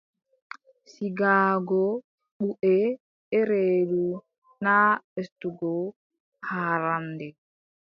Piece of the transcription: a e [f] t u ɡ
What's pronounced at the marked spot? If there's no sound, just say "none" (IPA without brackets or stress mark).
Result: s